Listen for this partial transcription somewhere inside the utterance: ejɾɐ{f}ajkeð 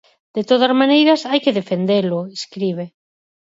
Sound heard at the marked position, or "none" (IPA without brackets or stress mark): s